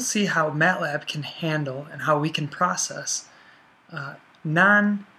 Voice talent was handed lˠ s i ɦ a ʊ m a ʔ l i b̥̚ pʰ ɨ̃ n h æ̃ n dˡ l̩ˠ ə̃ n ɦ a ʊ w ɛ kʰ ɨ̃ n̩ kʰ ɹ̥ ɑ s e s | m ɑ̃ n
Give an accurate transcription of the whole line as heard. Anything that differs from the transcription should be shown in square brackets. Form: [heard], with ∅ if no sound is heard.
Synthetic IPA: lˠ s i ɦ a ʊ m [æ] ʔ l [æ] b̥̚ [kʰ] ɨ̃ n h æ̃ n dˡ l̩ˠ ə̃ n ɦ a ʊ w [i] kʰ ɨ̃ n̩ [pʰ] ɹ̥ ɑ s [ɛ] s | [n] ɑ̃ n